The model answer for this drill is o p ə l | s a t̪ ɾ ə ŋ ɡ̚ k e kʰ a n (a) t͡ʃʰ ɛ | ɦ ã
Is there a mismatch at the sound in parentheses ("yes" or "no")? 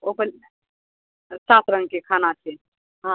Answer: no